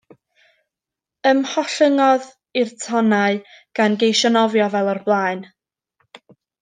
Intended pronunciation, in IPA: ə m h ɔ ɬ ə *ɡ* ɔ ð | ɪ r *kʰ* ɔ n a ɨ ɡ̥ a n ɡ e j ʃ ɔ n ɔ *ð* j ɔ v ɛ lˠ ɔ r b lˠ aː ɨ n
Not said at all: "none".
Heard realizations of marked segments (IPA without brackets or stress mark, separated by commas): ŋ, tʰ, v